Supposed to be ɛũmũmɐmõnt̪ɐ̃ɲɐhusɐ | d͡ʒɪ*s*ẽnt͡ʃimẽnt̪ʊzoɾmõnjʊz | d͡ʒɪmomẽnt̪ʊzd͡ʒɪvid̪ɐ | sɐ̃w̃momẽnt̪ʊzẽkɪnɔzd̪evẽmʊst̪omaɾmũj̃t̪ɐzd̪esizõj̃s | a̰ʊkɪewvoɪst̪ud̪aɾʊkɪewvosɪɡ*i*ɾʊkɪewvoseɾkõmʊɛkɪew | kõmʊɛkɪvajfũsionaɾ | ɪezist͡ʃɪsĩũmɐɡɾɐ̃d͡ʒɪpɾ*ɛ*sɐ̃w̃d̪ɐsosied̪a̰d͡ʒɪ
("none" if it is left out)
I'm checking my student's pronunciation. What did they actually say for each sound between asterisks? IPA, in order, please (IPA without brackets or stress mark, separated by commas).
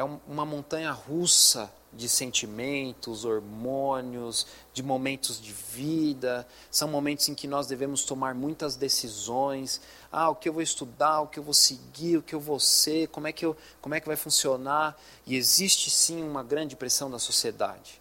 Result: s, i, e